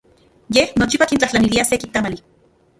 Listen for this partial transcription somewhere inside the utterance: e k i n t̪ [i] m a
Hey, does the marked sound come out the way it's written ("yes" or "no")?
no